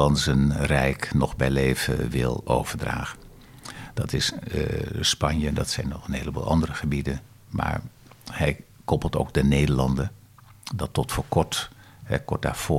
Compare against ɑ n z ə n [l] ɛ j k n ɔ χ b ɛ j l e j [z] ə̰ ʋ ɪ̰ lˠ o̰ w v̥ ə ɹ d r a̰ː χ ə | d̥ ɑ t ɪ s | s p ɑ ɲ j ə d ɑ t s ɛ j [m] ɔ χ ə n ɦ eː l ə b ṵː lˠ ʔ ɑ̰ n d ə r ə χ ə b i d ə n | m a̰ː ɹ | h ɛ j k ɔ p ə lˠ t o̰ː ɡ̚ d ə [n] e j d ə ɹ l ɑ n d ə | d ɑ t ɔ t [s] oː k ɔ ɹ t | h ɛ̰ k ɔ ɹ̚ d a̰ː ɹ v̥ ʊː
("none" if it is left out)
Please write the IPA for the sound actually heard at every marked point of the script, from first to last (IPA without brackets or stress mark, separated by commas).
r, v, n, n, f